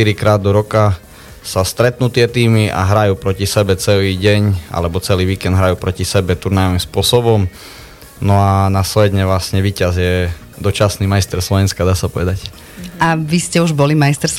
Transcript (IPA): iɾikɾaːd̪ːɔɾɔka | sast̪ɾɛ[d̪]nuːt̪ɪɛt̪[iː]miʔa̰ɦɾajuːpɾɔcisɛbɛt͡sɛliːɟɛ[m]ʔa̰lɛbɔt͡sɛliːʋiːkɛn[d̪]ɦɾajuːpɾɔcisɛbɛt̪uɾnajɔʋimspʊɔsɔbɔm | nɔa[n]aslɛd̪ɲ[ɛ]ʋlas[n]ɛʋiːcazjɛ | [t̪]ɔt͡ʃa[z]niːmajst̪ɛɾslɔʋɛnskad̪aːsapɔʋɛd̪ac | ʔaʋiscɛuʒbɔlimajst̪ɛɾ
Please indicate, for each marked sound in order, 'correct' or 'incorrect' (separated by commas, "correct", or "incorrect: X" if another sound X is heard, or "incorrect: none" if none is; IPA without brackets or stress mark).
incorrect: t̪, correct, incorrect: ɲ, correct, correct, correct, incorrect: ɲ, incorrect: d̪, incorrect: s